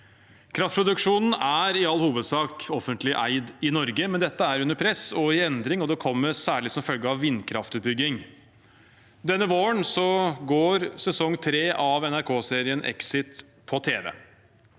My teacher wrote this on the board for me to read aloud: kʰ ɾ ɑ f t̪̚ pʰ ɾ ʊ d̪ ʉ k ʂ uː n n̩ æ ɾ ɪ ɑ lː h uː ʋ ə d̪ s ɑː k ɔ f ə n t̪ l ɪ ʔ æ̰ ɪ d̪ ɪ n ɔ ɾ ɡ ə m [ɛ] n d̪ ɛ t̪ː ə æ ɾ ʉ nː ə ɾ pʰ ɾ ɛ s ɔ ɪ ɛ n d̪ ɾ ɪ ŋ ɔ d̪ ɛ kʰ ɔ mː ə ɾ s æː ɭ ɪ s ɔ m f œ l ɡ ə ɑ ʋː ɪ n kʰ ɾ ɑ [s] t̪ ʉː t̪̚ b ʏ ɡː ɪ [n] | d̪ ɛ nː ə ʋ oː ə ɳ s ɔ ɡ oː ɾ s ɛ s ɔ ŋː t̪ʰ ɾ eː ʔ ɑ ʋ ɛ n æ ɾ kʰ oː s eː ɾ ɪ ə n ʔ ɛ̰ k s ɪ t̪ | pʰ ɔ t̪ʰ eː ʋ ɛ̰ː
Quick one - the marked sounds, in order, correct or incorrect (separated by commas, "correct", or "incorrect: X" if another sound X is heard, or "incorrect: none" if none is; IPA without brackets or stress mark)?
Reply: correct, incorrect: f, incorrect: ŋ